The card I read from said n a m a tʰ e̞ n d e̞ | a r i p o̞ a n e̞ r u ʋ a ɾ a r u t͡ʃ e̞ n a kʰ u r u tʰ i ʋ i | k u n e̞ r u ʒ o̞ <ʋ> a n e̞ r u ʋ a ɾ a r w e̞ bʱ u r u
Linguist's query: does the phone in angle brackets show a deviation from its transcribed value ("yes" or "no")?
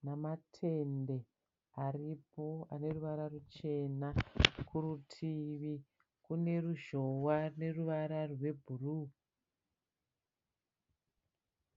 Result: yes